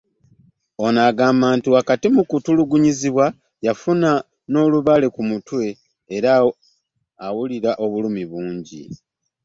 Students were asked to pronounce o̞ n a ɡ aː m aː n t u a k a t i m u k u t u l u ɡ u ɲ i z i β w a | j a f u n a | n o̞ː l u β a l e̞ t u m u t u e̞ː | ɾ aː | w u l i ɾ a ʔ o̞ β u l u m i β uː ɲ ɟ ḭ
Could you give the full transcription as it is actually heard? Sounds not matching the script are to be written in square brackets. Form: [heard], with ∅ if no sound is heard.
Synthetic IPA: o̞ n a ɡ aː m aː n t u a k a t i m u k u t u l u ɡ u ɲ i z i β w a | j a f u n a | n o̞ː l u β a l e̞ [k] u m u t [w] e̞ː | ɾ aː | w u l i ɾ a ʔ o̞ β u l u m i β uː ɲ ɟ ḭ